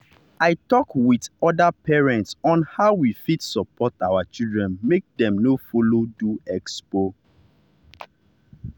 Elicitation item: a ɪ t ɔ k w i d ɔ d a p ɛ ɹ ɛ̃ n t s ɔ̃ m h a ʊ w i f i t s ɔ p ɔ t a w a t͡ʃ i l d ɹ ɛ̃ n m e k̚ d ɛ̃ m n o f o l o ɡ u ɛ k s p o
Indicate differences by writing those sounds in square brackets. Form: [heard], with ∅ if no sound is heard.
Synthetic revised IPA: a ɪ t ɔ k w i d ɔ d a p ɛ ɹ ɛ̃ n t s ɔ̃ [n] h a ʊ w i f i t s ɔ p ɔ t a w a t͡ʃ i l d ɹ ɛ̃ n m e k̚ d ɛ̃ m n o f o l o [d] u ɛ k s p o